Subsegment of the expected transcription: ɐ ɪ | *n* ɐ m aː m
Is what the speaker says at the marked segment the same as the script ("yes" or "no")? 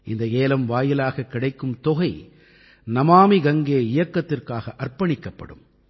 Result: yes